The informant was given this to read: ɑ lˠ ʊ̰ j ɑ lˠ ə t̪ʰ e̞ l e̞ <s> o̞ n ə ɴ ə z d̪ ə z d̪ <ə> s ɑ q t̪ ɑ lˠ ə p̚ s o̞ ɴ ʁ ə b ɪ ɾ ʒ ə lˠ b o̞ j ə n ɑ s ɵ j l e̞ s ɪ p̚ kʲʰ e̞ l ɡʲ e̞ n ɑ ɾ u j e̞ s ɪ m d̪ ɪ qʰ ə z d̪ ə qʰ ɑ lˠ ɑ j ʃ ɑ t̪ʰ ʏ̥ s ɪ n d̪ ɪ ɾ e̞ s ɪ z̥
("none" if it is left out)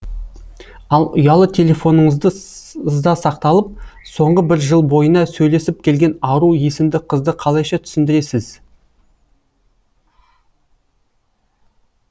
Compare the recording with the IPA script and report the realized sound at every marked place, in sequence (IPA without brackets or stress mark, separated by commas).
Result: f, ɑ